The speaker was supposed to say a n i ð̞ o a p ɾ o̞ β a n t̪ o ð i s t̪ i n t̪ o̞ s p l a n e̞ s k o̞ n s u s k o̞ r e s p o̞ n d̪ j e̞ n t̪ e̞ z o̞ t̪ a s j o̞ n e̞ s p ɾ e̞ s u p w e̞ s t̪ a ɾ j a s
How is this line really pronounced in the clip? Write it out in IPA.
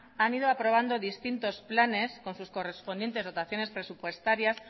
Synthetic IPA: a n i ð̞ o a p ɾ o̞ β a n d̪ o ð i s t̪ i n t̪ o̞ s p l a n e̞ s k o̞ n s u s k o̞ r e s p o̞ n d̪ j e̞ n t̪ e̞ z o̞ t̪ a θ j o̞ n e̞ s p ɾ e̞ s u p w e̞ s t̪ a ɾ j a s